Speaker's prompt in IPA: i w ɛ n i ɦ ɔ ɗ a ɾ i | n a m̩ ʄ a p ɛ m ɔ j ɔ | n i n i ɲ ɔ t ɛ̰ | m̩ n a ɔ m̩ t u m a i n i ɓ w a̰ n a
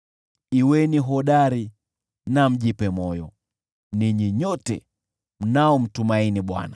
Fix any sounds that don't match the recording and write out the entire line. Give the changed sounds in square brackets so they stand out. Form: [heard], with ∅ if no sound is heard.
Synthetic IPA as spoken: i w ɛ n i ɦ ɔ ɗ a ɾ i | n a m̩ ʄ [i] p ɛ m ɔ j ɔ | n i [ɲ] i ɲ ɔ t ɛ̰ | m̩ n a ɔ m̩ t u m a i n i ɓ w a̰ n a